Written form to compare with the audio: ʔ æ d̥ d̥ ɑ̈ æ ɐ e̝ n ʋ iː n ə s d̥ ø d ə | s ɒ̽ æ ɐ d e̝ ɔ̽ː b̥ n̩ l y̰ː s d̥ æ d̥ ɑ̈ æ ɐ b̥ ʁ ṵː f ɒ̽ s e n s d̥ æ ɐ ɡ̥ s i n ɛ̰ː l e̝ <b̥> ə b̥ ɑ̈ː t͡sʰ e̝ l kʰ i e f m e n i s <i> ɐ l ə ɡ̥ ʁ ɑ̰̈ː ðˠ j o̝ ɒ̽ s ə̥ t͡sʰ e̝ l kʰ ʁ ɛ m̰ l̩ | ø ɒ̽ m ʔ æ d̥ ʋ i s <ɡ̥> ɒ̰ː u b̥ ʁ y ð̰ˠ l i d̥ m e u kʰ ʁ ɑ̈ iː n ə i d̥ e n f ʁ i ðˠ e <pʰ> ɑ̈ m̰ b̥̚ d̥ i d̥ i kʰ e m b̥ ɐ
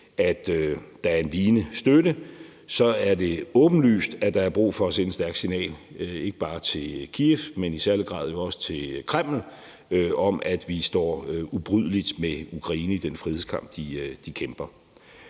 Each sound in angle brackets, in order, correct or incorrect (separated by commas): incorrect, incorrect, incorrect, incorrect